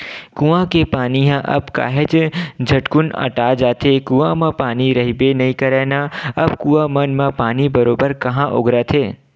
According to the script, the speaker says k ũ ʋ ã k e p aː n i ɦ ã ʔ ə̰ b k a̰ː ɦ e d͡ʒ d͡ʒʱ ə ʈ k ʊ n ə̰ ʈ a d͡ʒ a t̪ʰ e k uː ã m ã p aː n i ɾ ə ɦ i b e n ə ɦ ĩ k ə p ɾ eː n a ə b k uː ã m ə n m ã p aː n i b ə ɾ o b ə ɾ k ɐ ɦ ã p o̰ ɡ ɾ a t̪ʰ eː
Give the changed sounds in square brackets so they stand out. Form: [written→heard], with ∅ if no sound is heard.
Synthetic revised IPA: k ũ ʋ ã k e p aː n i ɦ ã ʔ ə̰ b k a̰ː ɦ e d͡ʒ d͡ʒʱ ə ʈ k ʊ n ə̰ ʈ a d͡ʒ a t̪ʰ e k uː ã m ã p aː n i ɾ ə ɦ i b e n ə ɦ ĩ k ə [p→∅] ɾ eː n a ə b k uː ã m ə n m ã p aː n i b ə ɾ o b ə ɾ k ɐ ɦ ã [p→ʔ] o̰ ɡ ɾ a t̪ʰ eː

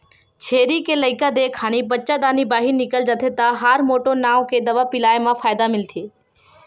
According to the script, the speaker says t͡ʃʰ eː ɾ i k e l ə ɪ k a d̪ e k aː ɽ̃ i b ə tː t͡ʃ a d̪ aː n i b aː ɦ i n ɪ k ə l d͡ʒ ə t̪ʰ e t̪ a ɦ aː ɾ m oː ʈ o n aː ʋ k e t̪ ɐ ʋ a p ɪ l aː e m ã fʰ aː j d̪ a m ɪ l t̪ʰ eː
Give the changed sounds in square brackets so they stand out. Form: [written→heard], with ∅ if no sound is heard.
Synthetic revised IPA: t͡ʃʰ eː ɾ i k e l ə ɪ k a d̪ e [k→kʰ] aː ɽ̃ i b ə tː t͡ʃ a d̪ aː n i b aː ɦ i n ɪ k ə l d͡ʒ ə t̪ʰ e t̪ a ɦ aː ɾ m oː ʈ o n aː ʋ k e [t̪→d̪] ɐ ʋ a p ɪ l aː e m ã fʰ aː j d̪ a m ɪ l t̪ʰ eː

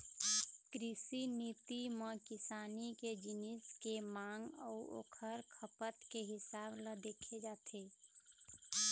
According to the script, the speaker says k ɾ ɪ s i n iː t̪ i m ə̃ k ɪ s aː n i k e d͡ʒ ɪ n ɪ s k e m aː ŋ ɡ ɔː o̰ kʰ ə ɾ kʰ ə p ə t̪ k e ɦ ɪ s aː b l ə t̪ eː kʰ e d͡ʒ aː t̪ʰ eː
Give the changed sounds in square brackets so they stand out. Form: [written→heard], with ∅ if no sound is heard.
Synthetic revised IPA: k ɾ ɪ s i n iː t̪ i m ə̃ k ɪ s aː n i k e d͡ʒ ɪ n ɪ s k e m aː ŋ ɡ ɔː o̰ kʰ ə ɾ kʰ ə p ə t̪ k e ɦ ɪ s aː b l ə [t̪→d̪] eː kʰ e d͡ʒ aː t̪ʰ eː

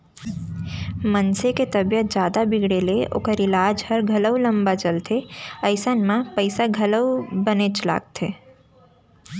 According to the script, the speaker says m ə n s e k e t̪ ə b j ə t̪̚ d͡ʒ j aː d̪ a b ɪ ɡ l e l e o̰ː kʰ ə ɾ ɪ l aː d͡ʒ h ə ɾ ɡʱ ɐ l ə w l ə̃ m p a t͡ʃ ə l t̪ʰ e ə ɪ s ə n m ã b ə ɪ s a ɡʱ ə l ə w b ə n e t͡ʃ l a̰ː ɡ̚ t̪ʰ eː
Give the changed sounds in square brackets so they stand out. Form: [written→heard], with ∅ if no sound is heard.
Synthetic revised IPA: m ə n s e k e t̪ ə b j ə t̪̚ d͡ʒ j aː d̪ a b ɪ ɡ [l→ɽ] e l e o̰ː [kʰ→k] ə ɾ ɪ l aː d͡ʒ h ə ɾ ɡʱ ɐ l ə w l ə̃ m [p→b] a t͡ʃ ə l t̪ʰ e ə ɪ s ə n m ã [b→p] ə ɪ s a ɡʱ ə l ə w b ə n e t͡ʃ l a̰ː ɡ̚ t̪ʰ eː

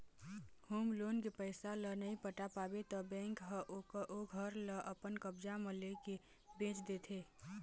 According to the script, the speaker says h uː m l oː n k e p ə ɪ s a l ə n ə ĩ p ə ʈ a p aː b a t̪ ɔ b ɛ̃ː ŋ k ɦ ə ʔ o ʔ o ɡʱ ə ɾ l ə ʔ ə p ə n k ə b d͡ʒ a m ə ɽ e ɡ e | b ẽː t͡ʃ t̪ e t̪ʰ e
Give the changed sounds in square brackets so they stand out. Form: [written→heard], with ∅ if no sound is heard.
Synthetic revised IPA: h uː m l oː n k e p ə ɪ s a l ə n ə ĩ p ə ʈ a p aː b [a→e] t̪ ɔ b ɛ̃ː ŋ k ɦ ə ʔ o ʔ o ɡʱ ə ɾ l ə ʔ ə p ə n k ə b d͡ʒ a m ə [ɽ→l] e [ɡ→k] e | b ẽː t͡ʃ [t̪→d̪] e t̪ʰ e

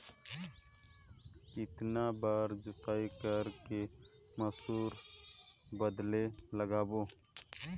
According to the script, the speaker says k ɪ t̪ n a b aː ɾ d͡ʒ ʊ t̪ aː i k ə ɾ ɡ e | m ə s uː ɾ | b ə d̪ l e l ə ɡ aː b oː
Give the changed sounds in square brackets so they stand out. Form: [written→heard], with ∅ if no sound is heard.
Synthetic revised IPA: k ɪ t̪ n a b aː ɾ d͡ʒ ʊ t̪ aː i k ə ɾ [ɡ→k] e | m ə s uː ɾ | b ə d̪ l e l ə ɡ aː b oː

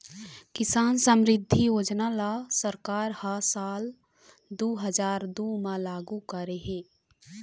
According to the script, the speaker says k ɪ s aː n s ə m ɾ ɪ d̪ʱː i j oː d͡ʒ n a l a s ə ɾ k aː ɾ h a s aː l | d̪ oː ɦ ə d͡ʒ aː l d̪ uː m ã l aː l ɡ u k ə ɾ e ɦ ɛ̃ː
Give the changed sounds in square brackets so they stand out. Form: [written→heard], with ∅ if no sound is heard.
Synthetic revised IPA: k ɪ s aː n s ə m ɾ ɪ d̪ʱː i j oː d͡ʒ n a l a s ə ɾ k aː ɾ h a s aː l | d̪ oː ɦ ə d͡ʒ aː [l→ɾ] d̪ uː m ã l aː [l→∅] ɡ u k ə ɾ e ɦ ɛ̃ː

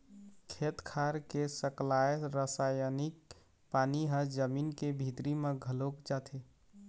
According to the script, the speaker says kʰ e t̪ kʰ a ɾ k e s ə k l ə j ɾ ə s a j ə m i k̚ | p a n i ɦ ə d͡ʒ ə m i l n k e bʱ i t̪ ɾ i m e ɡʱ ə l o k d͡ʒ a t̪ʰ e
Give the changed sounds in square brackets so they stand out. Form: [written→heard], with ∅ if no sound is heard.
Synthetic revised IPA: kʰ e t̪ kʰ a ɾ k e s ə k l [ə→a] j ɾ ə s a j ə [m→n] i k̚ | p a n i ɦ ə d͡ʒ ə m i [l→∅] n k e bʱ i t̪ ɾ i m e ɡʱ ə l o k d͡ʒ a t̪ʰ e

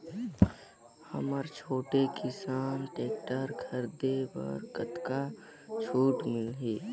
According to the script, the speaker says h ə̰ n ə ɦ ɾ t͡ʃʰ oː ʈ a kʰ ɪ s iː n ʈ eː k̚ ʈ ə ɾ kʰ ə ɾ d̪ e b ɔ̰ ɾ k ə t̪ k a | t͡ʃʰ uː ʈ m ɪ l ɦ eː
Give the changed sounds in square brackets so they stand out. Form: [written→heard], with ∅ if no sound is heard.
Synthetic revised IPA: h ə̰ [n→m] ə [ɦ→∅] ɾ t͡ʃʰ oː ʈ [a→e] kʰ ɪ s [iː→aː] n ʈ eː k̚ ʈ ə ɾ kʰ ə ɾ d̪ e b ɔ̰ ɾ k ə t̪ k a | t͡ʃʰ uː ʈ m ɪ l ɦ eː

